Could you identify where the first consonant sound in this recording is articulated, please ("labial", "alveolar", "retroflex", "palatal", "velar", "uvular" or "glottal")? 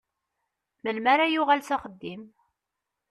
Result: labial